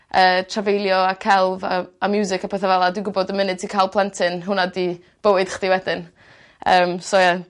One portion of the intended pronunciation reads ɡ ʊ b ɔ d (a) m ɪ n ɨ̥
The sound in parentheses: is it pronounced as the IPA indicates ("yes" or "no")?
no